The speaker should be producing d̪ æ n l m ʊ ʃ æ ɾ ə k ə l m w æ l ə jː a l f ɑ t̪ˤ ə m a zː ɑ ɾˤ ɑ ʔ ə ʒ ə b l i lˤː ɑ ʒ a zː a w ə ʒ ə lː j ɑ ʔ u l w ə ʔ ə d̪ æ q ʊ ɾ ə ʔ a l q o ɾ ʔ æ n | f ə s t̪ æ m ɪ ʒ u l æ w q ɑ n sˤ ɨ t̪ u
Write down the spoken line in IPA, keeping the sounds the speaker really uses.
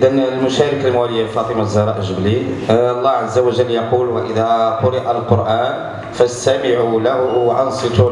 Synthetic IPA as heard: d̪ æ n l m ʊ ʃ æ ɾ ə k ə l m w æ l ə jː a l f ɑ t̪ˤ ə m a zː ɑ ɾˤ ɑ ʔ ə ʒ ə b l i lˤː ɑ ʕ a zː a w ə ʒ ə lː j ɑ q u l w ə ʔ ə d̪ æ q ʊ ɾ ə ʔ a l q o ɾ ʔ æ n | f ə s t̪ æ m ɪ ʕ u l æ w ʔ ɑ n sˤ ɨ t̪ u